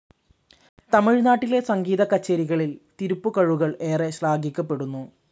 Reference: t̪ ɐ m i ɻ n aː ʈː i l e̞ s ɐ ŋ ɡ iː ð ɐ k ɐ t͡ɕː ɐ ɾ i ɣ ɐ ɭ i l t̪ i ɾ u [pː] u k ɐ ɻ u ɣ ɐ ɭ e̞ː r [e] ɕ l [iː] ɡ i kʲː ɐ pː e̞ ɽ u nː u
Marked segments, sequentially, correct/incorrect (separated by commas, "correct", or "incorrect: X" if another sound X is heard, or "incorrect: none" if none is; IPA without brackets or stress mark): correct, correct, incorrect: aː